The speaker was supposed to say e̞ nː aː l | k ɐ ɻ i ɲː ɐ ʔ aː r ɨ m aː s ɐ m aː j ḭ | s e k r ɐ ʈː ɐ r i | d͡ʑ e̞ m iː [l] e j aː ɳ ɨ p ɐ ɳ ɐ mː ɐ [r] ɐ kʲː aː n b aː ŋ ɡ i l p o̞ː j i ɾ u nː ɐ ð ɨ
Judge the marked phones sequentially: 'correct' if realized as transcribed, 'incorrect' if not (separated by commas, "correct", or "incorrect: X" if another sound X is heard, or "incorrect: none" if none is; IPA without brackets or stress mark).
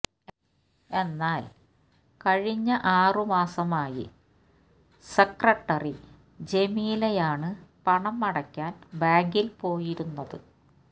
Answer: correct, incorrect: ɽ